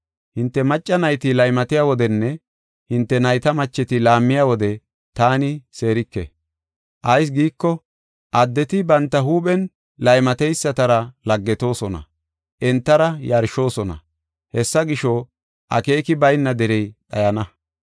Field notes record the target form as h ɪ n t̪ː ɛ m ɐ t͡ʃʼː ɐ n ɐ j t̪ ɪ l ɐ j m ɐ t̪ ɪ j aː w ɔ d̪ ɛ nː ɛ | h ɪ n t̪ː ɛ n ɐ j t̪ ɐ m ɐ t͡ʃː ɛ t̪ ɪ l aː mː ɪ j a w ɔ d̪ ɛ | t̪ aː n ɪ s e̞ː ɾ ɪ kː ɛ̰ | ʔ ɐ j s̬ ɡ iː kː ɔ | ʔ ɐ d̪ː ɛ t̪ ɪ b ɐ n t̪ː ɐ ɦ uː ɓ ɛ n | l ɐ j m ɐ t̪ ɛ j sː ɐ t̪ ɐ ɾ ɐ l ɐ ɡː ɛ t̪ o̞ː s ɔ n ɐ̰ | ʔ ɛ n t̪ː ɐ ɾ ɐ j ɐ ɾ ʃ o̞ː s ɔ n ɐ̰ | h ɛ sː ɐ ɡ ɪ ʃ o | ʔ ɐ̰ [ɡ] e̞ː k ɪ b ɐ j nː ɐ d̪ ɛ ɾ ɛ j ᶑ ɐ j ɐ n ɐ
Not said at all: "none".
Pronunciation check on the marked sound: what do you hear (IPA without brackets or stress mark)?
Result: k